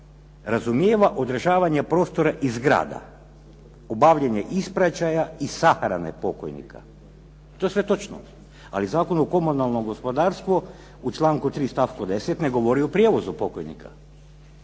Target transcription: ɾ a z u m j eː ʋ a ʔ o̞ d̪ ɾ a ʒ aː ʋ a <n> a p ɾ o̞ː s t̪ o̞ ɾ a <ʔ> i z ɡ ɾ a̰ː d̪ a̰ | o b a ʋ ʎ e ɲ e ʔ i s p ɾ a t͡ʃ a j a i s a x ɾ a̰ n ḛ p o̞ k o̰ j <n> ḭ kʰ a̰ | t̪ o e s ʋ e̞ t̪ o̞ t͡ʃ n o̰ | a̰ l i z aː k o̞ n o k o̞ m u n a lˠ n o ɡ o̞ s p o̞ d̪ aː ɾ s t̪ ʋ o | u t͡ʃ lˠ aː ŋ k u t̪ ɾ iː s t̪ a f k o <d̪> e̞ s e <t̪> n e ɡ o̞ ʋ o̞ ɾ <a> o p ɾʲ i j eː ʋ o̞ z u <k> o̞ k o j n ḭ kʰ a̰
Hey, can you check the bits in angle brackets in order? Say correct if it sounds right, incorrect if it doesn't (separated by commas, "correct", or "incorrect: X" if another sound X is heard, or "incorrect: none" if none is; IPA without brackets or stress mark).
incorrect: ɲ, correct, correct, correct, correct, incorrect: i, incorrect: p